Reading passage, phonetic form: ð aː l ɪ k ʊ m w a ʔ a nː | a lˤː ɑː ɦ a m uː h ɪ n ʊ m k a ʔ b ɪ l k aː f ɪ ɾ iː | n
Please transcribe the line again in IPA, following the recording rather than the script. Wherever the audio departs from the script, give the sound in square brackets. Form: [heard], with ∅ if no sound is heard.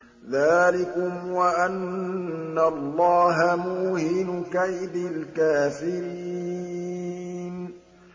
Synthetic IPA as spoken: ð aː l ɪ k ʊ m w a ʔ a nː | a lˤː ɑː ɦ a m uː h ɪ n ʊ [∅] k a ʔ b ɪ l k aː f ɪ ɾ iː | n